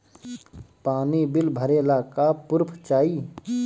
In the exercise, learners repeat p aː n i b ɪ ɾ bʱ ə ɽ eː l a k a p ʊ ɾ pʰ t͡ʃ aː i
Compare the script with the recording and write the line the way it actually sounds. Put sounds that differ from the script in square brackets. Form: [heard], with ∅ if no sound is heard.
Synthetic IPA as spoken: p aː n i b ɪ [l] bʱ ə [ɾ] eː l a k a p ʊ ɾ pʰ t͡ʃ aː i